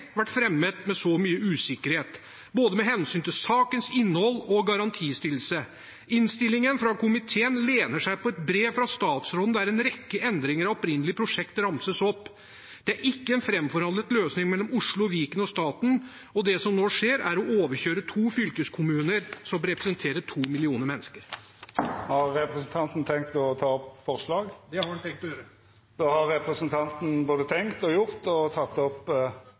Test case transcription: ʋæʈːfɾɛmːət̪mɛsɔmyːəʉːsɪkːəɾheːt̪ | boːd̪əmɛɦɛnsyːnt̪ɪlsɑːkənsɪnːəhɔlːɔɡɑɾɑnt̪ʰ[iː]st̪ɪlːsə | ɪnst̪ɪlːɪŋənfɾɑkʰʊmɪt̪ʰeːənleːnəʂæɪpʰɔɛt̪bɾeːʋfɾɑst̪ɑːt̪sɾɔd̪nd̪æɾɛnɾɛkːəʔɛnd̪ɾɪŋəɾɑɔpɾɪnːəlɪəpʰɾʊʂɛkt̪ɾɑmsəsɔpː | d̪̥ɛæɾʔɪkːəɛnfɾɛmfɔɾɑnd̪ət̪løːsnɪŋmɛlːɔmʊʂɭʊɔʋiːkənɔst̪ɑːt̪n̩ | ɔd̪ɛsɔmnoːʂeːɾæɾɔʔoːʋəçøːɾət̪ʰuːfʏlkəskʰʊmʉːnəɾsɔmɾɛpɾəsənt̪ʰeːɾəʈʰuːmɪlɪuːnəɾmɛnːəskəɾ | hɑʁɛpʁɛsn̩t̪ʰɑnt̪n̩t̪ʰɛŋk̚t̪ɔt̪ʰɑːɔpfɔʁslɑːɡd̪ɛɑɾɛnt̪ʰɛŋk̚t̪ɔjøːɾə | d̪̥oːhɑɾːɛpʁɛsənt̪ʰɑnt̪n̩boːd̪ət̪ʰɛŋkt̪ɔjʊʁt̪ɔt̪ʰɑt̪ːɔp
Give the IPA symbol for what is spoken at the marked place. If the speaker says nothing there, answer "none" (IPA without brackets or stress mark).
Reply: iː